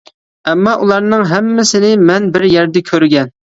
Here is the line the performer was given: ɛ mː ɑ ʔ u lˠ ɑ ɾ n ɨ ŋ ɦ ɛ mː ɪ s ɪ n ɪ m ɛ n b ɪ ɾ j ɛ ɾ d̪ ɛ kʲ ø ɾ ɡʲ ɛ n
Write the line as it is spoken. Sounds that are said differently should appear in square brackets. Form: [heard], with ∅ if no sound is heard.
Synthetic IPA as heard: ɛ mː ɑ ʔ u lˠ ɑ ɾ n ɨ ŋ ɦ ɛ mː ɪ s ɪ n ɪ m ɛ n b ɪ ɾ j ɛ ɾ d̪ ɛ [kʲʰ] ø ɾ ɡʲ ɛ n